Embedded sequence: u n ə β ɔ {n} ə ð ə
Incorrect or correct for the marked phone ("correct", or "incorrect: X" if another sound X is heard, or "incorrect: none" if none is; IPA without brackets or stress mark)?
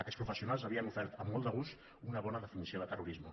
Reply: correct